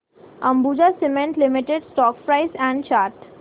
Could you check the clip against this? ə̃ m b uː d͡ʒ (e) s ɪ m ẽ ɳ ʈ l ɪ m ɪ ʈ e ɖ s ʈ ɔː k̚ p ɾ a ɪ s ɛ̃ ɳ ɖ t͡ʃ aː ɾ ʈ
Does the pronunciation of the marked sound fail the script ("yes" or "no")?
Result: yes